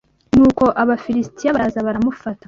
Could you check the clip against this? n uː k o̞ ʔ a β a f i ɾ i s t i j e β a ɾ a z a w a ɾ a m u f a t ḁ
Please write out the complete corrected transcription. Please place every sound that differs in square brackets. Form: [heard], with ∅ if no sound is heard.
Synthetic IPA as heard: n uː k o̞ ʔ a β a f i ɾ i s t i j [a] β a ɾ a z a [β] a ɾ a m u f a t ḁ